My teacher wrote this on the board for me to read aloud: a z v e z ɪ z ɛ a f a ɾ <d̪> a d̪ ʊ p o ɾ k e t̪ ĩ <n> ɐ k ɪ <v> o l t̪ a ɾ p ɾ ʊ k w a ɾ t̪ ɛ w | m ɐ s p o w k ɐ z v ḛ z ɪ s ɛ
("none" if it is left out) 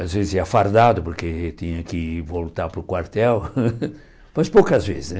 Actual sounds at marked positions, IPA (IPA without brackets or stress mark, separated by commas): d̪, ɲ, v